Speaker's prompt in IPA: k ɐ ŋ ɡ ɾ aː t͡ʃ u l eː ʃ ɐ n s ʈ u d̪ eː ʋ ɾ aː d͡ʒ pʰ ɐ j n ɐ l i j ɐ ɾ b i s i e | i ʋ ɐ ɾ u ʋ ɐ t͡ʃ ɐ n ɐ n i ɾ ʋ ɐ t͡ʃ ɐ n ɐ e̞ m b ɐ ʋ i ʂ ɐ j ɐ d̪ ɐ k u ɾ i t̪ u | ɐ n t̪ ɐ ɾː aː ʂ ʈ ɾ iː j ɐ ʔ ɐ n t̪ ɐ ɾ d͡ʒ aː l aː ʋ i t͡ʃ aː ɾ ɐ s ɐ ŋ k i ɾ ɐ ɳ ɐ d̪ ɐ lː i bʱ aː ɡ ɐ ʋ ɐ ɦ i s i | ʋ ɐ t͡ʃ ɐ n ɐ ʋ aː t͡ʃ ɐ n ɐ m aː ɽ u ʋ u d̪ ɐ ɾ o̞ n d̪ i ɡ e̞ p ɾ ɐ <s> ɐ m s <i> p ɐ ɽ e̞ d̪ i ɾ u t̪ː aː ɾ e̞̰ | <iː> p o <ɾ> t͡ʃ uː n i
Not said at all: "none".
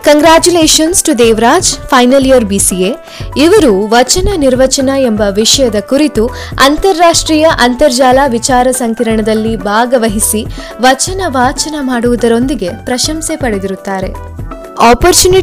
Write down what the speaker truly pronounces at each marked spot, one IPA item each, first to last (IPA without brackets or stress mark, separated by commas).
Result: ʃ, e, aː, ɾ